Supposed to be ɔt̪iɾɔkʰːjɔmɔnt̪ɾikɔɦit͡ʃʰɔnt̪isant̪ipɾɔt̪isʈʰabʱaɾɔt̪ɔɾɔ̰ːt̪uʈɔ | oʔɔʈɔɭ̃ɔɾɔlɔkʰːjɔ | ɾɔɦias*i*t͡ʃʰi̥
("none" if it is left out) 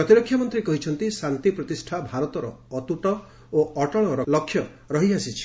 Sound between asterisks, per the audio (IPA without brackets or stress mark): i